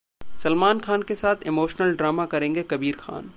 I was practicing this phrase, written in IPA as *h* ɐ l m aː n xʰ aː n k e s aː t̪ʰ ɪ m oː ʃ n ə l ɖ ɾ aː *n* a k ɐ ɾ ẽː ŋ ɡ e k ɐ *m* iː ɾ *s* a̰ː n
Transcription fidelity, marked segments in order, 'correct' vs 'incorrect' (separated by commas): incorrect, incorrect, incorrect, incorrect